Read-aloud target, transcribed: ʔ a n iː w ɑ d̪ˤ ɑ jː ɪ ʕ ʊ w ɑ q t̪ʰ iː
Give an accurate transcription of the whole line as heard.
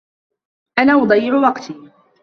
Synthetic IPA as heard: ʔ a n aː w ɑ d̪ˤ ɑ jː ɪ ʕ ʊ w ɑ q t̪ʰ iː